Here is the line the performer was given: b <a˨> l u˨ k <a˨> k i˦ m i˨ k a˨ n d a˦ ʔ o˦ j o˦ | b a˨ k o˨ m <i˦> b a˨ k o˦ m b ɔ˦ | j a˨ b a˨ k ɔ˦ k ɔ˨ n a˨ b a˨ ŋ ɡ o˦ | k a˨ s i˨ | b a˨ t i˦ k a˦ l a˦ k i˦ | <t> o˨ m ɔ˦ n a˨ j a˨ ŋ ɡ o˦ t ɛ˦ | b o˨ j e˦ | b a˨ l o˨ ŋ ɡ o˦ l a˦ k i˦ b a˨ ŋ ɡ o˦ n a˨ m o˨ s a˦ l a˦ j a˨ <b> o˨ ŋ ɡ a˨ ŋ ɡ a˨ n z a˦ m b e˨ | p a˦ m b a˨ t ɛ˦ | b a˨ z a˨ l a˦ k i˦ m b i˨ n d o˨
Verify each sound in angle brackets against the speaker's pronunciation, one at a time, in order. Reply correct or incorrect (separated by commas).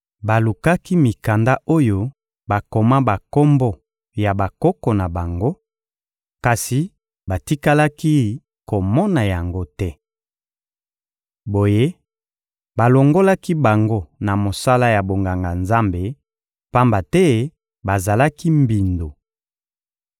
correct, incorrect, incorrect, incorrect, correct